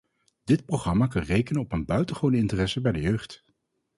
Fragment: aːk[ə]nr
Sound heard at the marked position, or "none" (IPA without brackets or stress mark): ɑ